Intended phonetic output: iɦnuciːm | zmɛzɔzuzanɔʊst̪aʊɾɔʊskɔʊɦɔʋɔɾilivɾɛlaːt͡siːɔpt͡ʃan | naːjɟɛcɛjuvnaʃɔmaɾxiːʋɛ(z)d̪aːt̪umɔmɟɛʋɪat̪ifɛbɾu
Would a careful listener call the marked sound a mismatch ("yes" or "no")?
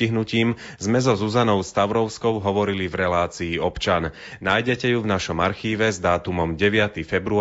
no